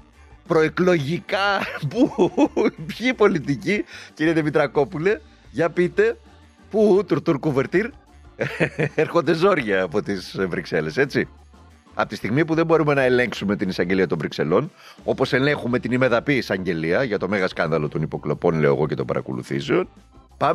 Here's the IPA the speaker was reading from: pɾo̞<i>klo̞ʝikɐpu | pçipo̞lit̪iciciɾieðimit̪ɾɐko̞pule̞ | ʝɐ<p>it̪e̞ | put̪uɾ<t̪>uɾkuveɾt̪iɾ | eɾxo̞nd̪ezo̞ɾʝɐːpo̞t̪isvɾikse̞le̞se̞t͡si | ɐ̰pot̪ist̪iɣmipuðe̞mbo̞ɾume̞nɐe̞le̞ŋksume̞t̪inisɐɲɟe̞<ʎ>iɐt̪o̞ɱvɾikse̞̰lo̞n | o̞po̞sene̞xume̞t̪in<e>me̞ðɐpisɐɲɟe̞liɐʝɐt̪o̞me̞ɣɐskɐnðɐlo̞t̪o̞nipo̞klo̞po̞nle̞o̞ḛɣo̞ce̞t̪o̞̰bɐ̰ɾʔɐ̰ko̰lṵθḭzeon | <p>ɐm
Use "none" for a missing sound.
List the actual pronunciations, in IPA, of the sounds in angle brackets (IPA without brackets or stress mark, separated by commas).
e, p, t̪, l, i, p